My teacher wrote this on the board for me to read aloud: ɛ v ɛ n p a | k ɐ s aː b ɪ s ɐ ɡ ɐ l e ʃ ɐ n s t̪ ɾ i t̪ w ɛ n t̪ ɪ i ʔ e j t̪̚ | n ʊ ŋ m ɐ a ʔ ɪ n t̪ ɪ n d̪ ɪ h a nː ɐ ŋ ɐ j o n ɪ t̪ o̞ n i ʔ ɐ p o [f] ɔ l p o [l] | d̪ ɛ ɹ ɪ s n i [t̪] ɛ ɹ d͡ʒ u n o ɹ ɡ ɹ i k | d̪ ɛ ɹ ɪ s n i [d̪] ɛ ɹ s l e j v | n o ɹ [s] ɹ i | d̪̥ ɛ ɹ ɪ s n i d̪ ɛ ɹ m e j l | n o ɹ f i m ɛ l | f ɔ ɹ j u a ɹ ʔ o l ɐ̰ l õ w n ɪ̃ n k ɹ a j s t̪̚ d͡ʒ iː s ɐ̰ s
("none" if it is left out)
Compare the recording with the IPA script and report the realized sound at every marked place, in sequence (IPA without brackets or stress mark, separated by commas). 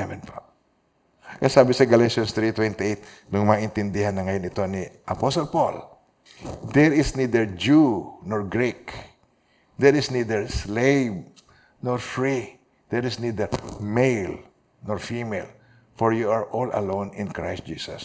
s, l, d̪, d̪, f